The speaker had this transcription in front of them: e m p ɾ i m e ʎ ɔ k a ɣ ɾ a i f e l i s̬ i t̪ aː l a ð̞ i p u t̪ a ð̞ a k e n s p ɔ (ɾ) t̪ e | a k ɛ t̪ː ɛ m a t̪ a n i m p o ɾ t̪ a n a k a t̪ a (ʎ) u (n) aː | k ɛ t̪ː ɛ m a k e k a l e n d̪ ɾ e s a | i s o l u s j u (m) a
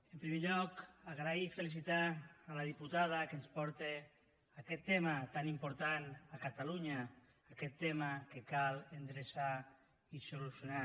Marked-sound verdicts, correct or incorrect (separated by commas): correct, incorrect, incorrect, incorrect